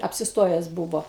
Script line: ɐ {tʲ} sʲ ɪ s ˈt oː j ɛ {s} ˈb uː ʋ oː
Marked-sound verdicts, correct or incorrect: incorrect, correct

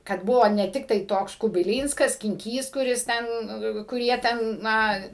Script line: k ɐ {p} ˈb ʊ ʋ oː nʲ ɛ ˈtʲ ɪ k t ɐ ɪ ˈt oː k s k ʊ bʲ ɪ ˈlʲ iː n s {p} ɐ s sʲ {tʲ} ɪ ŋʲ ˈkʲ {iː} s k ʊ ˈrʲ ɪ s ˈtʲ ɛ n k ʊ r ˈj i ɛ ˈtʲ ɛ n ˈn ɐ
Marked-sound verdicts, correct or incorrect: incorrect, incorrect, incorrect, correct

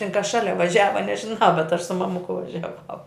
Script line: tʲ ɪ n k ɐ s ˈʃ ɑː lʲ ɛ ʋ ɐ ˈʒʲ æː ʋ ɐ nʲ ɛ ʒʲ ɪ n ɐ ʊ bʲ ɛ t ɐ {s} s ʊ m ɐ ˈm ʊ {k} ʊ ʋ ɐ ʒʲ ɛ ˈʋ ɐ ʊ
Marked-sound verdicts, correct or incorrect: incorrect, correct

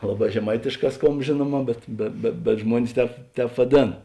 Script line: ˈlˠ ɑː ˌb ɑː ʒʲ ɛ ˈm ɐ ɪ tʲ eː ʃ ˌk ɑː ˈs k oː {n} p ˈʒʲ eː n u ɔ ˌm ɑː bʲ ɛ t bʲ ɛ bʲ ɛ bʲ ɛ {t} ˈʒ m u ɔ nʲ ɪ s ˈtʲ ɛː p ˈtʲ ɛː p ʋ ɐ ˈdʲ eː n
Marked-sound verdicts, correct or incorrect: incorrect, correct

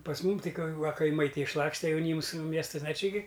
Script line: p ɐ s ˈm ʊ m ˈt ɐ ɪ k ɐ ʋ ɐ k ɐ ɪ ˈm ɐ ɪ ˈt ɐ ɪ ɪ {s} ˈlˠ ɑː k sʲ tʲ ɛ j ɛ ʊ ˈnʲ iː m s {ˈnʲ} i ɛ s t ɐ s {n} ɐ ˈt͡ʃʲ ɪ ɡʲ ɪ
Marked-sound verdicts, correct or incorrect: incorrect, incorrect, correct

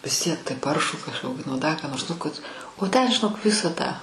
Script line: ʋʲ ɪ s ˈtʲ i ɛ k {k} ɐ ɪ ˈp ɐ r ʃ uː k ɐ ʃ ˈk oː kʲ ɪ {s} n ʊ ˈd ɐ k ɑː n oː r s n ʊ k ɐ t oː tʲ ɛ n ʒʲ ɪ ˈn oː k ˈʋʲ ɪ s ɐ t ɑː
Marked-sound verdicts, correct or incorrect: incorrect, incorrect

